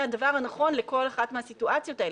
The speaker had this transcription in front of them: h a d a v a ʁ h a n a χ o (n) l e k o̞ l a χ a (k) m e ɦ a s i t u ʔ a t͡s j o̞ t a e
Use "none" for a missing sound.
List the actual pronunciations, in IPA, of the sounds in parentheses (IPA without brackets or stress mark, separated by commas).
n, t